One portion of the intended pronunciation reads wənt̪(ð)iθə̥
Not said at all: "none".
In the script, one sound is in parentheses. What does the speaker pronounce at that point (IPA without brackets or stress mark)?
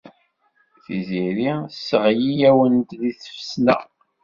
ð